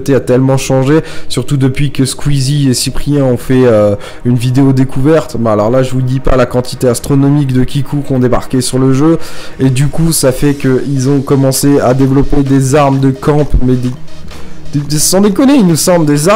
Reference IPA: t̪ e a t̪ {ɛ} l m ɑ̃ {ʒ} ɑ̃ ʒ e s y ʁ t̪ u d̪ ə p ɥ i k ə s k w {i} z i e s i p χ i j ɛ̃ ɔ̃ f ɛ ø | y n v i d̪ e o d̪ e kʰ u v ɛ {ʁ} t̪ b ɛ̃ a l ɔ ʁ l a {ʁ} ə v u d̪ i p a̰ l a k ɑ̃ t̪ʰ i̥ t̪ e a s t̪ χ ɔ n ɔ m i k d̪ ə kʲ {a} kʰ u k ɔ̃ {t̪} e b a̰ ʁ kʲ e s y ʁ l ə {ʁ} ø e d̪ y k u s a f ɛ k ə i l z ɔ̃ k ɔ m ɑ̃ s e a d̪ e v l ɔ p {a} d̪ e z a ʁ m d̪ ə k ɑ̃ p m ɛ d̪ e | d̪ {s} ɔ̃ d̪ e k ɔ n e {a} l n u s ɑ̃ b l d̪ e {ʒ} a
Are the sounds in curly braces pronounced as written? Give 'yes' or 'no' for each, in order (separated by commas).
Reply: yes, no, yes, yes, no, no, no, no, no, yes, no, no